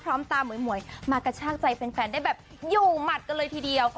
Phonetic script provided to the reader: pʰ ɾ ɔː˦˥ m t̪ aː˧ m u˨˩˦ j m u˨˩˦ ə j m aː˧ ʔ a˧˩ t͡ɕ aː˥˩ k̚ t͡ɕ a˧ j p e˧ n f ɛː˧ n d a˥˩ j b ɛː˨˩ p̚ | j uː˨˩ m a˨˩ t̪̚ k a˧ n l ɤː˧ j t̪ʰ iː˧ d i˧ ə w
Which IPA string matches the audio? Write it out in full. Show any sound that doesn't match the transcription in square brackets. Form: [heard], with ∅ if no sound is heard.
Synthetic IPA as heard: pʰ ɾ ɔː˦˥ m t̪ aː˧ m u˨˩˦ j m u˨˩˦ ə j m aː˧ [k] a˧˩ [t͡ɕʰ] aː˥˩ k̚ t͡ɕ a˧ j p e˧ n f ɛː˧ n d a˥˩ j b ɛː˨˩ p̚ | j uː˨˩ m a˨˩ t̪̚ k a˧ n l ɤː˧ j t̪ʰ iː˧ d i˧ ə w

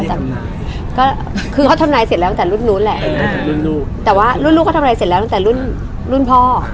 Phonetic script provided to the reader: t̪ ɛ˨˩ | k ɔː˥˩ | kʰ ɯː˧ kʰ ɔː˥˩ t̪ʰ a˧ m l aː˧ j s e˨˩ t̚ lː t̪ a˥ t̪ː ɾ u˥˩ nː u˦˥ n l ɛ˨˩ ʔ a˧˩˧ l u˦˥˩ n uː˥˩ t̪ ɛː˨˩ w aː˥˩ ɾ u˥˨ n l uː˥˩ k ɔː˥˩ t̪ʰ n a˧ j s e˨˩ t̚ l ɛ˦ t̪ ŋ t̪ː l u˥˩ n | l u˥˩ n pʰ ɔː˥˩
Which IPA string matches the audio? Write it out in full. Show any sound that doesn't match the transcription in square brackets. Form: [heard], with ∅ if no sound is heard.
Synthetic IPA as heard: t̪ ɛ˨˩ | k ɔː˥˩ | kʰ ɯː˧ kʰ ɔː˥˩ t̪ʰ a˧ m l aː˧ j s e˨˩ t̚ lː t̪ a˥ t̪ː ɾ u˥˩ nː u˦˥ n l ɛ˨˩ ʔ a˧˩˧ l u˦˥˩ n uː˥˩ t̪ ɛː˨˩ w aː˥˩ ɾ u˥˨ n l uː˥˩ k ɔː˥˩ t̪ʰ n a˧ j s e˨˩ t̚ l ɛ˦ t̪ ŋ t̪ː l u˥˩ n | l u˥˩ n pʰ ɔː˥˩

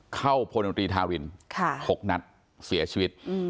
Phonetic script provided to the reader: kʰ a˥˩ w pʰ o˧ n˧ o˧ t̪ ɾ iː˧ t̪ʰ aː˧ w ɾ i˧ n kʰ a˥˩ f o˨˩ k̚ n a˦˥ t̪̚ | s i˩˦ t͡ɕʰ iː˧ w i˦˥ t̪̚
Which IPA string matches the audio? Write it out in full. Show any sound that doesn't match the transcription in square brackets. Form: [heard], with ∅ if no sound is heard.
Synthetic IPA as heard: kʰ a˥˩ w pʰ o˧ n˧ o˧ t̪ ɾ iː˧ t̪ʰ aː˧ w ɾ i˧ n kʰ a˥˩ [h] o˨˩ k̚ n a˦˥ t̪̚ | s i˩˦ t͡ɕʰ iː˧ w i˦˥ t̪̚

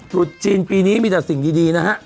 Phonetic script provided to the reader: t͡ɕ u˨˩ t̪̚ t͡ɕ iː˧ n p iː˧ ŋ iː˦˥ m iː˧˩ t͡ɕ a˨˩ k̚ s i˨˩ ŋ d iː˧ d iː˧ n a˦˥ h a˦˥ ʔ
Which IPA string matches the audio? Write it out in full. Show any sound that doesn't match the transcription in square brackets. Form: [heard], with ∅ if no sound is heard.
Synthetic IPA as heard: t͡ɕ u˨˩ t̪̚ t͡ɕ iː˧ n p iː˧ [n] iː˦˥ m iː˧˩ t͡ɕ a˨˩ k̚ s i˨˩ ŋ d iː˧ d iː˧ n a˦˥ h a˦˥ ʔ

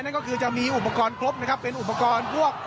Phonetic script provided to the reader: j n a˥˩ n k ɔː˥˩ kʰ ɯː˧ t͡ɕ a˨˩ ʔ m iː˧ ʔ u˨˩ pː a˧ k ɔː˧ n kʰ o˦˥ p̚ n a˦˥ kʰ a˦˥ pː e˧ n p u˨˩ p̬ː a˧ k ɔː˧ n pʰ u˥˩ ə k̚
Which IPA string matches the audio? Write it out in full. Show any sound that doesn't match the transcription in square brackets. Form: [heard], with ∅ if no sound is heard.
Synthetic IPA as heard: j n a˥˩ n k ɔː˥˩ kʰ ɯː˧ t͡ɕ a˨˩ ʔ m iː˧ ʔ u˨˩ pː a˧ k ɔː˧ n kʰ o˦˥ p̚ n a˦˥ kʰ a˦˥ pː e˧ n [ʔ] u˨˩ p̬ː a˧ k ɔː˧ n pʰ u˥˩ ə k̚

